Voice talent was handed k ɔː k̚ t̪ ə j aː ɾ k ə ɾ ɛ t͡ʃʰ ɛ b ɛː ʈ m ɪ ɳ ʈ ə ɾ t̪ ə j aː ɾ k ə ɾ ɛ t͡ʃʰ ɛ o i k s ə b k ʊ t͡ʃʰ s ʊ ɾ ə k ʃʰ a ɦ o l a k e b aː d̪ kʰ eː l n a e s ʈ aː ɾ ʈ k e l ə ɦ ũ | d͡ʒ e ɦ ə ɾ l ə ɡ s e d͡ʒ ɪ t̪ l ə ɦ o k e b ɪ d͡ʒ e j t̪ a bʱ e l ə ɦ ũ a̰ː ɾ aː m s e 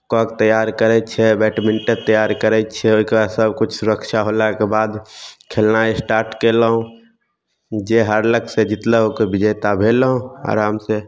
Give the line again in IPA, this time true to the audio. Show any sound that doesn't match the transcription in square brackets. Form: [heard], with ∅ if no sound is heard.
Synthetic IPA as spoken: k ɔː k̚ t̪ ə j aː ɾ k ə ɾ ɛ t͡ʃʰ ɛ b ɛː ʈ m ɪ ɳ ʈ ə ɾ t̪ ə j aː ɾ k ə ɾ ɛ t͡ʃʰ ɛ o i k s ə b k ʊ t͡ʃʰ s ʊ ɾ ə k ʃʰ a ɦ o l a k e b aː d̪ kʰ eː l n a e s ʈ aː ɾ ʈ k e l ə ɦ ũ | d͡ʒ e ɦ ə ɾ l ə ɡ s e d͡ʒ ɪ t̪ l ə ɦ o k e b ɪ d͡ʒ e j t̪ a bʱ e l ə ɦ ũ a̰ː ɾ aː m s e